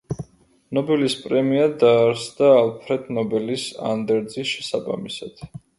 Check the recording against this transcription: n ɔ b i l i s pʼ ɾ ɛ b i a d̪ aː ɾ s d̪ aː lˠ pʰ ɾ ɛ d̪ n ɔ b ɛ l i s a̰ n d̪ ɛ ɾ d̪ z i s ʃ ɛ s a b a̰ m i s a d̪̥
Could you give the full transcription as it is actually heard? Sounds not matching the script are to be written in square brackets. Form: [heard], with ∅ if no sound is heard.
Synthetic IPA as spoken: n ɔ b [ɛ] l i s pʼ ɾ ɛ [m] i a d̪ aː ɾ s d̪ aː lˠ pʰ ɾ ɛ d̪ n ɔ b ɛ l i s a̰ n d̪ ɛ ɾ d̪ z i s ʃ ɛ s a b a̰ m i s a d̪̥